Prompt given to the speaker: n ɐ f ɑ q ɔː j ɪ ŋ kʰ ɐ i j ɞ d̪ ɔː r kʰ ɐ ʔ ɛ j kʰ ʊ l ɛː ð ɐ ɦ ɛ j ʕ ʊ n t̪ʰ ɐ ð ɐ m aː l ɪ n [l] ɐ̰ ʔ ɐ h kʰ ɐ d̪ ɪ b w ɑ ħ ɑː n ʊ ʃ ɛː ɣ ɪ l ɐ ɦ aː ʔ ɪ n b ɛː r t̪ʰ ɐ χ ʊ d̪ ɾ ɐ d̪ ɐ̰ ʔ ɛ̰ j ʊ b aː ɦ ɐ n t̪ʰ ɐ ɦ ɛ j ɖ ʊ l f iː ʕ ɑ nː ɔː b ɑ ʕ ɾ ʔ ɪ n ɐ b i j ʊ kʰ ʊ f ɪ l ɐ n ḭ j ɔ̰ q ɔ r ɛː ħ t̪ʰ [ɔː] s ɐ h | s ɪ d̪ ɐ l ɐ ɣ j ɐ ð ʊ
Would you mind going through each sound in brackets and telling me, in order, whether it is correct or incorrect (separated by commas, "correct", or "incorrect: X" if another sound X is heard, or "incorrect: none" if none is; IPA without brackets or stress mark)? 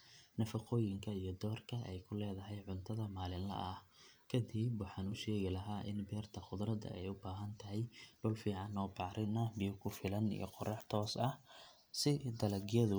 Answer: correct, correct